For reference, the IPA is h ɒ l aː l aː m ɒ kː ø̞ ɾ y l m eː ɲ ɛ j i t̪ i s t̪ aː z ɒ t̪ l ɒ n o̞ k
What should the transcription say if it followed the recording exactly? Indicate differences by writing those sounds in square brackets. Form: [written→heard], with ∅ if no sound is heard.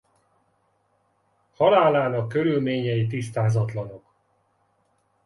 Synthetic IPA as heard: h ɒ l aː l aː [m→n] ɒ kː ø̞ ɾ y l m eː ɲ ɛ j i t̪ i s t̪ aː z ɒ t̪ l ɒ n o̞ k